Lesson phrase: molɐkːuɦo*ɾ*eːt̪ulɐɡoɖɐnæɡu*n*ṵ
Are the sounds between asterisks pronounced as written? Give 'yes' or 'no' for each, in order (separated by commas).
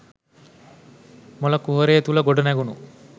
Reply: yes, yes